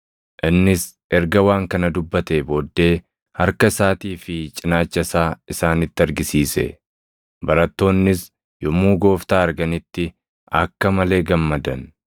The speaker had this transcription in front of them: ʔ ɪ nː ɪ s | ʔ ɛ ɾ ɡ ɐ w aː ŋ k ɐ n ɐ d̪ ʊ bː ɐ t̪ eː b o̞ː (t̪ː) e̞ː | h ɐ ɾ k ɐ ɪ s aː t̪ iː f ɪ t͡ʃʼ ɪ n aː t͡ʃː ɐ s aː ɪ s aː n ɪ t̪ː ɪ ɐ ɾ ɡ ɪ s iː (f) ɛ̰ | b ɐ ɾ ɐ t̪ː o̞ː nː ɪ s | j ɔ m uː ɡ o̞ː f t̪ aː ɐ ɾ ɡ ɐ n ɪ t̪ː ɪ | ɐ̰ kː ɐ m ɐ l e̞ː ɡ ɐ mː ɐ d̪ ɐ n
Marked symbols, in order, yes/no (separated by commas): no, no